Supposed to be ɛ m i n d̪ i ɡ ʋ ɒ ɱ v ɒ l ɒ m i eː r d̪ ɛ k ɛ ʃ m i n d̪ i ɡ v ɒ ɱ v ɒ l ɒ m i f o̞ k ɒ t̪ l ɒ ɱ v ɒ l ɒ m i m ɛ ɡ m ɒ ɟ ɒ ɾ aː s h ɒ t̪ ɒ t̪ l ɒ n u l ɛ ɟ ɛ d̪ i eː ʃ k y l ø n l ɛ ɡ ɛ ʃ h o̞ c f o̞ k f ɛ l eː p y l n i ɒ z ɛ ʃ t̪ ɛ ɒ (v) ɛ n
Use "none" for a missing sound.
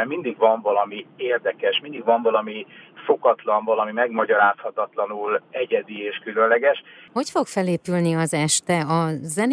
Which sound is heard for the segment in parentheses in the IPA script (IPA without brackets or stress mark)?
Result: z